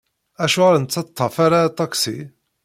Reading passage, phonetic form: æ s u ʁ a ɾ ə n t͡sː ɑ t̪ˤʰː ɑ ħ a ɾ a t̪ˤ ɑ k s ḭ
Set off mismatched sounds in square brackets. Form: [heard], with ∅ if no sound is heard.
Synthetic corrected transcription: æ [ʃ] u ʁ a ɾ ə n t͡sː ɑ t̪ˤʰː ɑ [f] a ɾ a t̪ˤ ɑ k s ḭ